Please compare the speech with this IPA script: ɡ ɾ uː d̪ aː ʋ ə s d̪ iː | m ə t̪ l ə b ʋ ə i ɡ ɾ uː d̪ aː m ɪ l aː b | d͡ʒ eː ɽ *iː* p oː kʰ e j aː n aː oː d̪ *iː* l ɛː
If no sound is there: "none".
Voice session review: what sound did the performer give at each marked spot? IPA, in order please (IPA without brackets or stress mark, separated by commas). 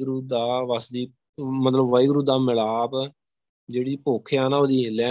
iː, iː